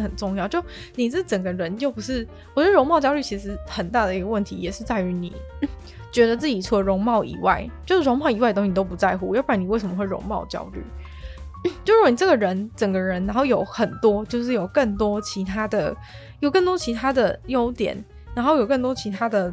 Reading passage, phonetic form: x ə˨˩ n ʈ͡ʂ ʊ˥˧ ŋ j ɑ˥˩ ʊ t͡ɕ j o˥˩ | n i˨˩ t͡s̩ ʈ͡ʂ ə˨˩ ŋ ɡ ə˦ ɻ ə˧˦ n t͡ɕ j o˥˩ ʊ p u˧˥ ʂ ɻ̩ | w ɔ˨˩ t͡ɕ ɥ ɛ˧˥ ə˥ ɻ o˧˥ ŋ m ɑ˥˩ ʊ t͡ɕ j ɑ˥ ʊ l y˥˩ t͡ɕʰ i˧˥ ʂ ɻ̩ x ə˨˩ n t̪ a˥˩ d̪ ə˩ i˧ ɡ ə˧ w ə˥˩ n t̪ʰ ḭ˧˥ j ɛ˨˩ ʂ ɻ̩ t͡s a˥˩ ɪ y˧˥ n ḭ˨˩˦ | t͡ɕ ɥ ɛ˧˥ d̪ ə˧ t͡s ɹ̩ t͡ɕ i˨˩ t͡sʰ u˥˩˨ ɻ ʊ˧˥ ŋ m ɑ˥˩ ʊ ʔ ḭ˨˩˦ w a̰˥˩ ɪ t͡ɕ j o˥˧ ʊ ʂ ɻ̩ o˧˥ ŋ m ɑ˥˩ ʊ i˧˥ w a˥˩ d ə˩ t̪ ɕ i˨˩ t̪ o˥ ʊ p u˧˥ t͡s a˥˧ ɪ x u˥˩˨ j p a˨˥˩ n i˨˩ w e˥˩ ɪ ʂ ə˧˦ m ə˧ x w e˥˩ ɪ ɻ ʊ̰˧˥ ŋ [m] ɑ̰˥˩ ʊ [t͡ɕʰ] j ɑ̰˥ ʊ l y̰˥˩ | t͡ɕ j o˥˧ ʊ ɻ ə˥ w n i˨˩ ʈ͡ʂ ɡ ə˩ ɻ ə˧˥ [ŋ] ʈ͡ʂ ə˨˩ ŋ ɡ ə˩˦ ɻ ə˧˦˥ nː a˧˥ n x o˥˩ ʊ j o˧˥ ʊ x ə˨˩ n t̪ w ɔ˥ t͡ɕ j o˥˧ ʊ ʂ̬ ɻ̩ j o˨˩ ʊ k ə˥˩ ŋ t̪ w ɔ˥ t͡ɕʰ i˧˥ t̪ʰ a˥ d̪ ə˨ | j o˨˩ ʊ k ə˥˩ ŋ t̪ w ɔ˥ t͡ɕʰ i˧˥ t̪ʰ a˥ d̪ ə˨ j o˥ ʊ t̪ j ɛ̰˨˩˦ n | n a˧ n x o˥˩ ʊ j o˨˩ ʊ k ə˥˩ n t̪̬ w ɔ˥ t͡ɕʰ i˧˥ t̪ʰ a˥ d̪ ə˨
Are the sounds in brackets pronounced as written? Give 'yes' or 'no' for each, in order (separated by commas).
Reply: yes, no, no